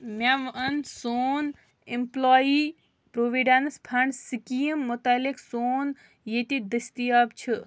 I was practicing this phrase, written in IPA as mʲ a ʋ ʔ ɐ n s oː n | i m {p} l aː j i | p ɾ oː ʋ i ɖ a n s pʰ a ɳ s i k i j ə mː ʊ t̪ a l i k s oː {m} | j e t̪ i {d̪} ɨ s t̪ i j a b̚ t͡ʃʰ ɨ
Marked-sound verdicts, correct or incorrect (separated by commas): correct, incorrect, correct